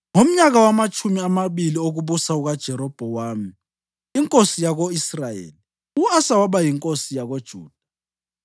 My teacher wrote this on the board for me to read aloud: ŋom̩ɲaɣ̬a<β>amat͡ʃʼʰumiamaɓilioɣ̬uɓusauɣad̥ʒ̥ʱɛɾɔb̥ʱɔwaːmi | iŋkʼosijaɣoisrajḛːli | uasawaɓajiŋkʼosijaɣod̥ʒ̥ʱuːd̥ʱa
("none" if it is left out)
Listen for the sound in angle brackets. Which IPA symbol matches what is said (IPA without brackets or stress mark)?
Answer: w